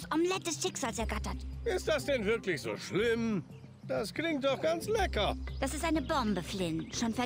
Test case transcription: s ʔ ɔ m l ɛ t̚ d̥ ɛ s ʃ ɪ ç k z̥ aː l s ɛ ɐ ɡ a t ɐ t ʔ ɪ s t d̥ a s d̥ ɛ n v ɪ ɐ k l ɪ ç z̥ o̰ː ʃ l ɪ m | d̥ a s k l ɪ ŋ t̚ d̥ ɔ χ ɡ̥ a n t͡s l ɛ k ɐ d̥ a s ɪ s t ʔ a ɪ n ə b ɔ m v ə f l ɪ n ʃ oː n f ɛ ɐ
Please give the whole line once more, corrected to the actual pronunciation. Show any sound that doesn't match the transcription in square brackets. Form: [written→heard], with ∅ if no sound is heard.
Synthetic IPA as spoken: s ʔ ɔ m l ɛ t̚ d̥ ɛ s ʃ ɪ [ç→∅] k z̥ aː l s ɛ ɐ ɡ a t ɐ t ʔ ɪ s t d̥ a s d̥ ɛ n v ɪ ɐ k l ɪ ç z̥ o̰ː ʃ l ɪ m | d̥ a s k l ɪ ŋ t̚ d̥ ɔ χ ɡ̥ a n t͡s l ɛ k ɐ d̥ a s ɪ s t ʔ a ɪ n ə b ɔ m [v→b] ə f l ɪ n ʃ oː n f ɛ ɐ

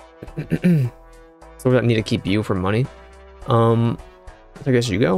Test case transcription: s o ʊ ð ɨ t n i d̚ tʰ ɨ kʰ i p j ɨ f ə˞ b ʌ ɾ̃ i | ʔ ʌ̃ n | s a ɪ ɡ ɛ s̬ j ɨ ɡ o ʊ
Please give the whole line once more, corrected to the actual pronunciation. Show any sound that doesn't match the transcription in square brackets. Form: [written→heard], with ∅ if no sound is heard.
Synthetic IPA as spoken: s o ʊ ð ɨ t n i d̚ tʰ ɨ kʰ i p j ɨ f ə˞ [b→m] ʌ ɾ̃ i | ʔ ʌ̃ [n→m] | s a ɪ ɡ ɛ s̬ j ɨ ɡ o ʊ

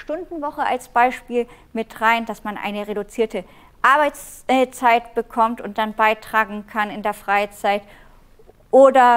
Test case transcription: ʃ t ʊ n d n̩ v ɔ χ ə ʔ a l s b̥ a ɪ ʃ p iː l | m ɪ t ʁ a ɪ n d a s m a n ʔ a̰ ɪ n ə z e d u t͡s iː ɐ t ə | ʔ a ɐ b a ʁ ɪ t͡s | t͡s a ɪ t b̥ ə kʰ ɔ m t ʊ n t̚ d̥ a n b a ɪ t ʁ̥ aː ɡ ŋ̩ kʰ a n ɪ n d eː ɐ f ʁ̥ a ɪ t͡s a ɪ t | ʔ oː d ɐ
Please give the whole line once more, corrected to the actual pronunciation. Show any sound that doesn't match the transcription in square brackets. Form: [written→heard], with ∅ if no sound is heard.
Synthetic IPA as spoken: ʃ t ʊ n d n̩ v ɔ χ ə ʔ a l s b̥ a ɪ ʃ p iː l | m ɪ t ʁ a ɪ n d a s m a n ʔ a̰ ɪ n ə [z→ʁ] e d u t͡s iː ɐ t ə | ʔ a ɐ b a [ʁ→∅] ɪ t͡s | t͡s a ɪ t b̥ ə kʰ ɔ m t ʊ n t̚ d̥ a n b a ɪ t ʁ̥ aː ɡ ŋ̩ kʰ a n ɪ n d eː ɐ f ʁ̥ a ɪ t͡s a ɪ t | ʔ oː d ɐ

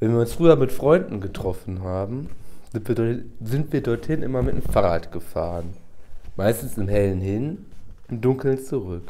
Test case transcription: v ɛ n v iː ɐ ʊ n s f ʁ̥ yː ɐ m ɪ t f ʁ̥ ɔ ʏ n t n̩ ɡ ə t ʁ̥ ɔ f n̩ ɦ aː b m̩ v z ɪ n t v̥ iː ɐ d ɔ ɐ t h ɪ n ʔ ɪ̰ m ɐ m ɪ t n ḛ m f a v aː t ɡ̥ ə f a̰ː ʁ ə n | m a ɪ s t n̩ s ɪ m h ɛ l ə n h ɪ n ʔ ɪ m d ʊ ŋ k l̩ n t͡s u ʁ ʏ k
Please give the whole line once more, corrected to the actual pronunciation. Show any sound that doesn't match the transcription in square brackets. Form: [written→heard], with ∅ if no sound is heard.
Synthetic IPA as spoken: v ɛ n v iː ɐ ʊ n s f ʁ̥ yː ɐ m ɪ t f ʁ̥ ɔ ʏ n [t→d] n̩ ɡ ə t ʁ̥ ɔ f n̩ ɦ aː b m̩ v z ɪ n t v̥ iː ɐ d ɔ ɐ t h ɪ n ʔ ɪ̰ m ɐ m ɪ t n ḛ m f a [v→ʁ] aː t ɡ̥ ə f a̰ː ʁ ə n | m a ɪ s t n̩ s ɪ m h ɛ l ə n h ɪ n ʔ ɪ m d ʊ ŋ k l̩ n t͡s u ʁ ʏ k

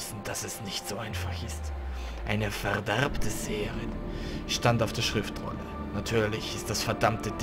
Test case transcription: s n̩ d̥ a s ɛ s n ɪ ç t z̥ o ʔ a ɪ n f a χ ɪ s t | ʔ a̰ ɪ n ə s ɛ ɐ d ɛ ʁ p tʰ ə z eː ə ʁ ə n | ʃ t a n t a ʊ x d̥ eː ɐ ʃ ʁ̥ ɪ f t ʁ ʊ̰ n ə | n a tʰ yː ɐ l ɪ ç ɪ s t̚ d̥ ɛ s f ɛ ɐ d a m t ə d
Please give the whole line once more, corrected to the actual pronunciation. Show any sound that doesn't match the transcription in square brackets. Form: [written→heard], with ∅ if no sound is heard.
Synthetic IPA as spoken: s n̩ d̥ a s ɛ s n ɪ ç t z̥ o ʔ a ɪ n f a χ ɪ s t | ʔ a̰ ɪ n ə [s→f] ɛ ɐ d ɛ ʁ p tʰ ə z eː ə ʁ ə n | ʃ t a n t a ʊ [x→f] d̥ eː ɐ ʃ ʁ̥ ɪ f t ʁ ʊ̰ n ə | n a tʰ yː ɐ l ɪ ç ɪ s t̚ d̥ [ɛ→a] s f ɛ ɐ d a m t ə d

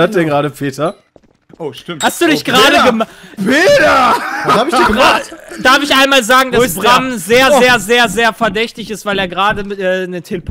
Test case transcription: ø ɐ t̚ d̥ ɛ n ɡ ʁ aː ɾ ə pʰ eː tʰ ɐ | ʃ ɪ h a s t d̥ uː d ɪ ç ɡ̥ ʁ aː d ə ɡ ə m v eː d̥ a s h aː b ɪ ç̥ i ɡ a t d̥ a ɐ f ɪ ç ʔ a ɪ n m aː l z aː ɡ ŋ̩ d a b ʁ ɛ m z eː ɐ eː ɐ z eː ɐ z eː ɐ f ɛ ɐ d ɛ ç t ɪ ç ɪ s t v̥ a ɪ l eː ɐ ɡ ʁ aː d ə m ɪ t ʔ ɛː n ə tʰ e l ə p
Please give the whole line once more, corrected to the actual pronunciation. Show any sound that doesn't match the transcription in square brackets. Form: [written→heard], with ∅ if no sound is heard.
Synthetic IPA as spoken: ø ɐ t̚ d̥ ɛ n ɡ ʁ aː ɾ ə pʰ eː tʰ ɐ | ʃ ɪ h a s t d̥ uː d ɪ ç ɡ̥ ʁ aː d ə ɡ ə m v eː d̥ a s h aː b ɪ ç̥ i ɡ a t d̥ a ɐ f ɪ ç ʔ a ɪ n m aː l z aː ɡ ŋ̩ d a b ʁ [ɛ→a] m z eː ɐ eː ɐ z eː ɐ z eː ɐ f ɛ ɐ d ɛ ç t ɪ ç ɪ s t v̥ a ɪ l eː ɐ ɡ ʁ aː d ə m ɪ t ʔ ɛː n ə tʰ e l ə p

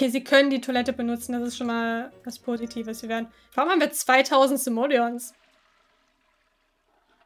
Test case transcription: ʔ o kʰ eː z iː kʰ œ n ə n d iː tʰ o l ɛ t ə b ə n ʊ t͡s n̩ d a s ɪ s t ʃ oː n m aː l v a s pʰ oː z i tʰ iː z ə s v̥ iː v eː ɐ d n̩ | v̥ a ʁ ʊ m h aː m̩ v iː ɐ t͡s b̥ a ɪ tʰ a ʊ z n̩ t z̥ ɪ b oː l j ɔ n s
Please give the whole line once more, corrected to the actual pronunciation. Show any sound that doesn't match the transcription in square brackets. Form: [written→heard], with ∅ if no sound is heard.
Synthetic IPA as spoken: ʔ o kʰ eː z iː kʰ œ n ə n d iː tʰ o l ɛ t ə b ə n ʊ t͡s n̩ d a s ɪ s t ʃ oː n m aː l v a s pʰ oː z i tʰ iː [z→v] ə s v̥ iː v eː ɐ d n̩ | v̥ a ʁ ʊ m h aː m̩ v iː ɐ t͡s [b̥→v̥] a ɪ tʰ a ʊ z n̩ t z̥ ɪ [b→m] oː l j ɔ n s

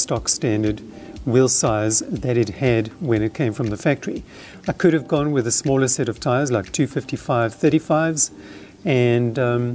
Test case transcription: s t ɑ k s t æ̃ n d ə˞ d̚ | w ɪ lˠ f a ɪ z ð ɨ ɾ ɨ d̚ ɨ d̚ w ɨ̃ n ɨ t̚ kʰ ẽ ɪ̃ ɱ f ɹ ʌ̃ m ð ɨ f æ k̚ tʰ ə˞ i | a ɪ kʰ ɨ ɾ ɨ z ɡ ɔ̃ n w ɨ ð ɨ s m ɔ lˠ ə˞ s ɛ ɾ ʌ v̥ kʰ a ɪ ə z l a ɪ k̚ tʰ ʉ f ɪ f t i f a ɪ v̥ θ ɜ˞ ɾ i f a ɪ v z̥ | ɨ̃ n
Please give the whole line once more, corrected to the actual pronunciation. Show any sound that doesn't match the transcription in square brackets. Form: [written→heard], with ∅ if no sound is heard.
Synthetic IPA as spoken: s t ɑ k s t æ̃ n d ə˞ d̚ | w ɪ lˠ [f→s] a ɪ z ð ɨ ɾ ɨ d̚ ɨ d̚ w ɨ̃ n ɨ t̚ kʰ ẽ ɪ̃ ɱ f ɹ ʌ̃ m ð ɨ f æ k̚ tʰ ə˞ i | a ɪ kʰ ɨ ɾ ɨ [z→v] ɡ ɔ̃ n w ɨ ð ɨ s m ɔ lˠ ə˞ s ɛ ɾ ʌ v̥ [kʰ→tʰ] a ɪ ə z l a ɪ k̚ tʰ ʉ f ɪ f t i f a ɪ v̥ θ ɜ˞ ɾ i f a ɪ v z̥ | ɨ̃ n

